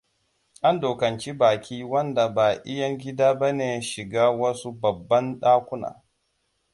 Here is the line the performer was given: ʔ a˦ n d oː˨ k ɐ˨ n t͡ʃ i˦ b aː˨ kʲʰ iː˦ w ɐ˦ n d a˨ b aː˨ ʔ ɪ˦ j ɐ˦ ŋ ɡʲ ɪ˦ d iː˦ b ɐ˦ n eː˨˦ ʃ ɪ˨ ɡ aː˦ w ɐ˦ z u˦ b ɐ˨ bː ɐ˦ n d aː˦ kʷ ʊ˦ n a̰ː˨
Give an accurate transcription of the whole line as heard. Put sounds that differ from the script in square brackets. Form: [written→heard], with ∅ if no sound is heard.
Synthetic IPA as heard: ʔ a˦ n d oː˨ k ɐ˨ n t͡ʃ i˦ b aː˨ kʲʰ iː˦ w ɐ˦ n d a˨ b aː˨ ʔ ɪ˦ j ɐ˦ ŋ ɡʲ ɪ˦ d [iː˦→aː˦] b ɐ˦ n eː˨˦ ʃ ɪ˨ ɡ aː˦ w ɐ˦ [z→s] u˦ b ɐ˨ bː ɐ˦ n [d→ɗ] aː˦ kʷ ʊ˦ n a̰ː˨